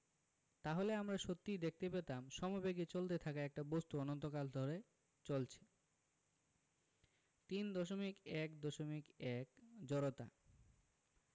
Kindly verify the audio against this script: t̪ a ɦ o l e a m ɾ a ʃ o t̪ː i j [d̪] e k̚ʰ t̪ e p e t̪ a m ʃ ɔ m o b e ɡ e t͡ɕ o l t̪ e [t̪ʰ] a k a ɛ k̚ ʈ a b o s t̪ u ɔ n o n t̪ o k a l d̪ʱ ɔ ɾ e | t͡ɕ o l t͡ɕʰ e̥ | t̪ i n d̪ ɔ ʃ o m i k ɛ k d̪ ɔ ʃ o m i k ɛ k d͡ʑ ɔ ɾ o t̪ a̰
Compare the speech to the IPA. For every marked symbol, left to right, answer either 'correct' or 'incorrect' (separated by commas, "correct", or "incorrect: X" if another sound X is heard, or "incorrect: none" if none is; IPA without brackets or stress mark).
correct, correct